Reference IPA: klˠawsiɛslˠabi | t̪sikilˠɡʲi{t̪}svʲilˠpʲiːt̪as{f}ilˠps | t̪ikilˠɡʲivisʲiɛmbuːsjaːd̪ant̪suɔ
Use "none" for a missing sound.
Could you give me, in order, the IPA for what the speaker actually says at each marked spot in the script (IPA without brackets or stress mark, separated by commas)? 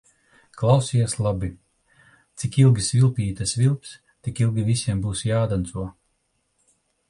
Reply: none, v